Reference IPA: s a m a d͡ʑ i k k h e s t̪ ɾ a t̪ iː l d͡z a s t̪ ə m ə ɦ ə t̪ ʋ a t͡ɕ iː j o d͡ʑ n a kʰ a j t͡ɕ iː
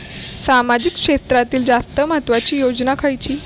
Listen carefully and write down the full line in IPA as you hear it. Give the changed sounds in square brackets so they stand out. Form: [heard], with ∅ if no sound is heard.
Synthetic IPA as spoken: s a m a d͡ʑ i k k [ʂ] e s t̪ ɾ a t̪ iː l d͡z a s t̪ ə m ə ɦ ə t̪ ʋ a t͡ɕ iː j o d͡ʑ n a kʰ a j t͡ɕ iː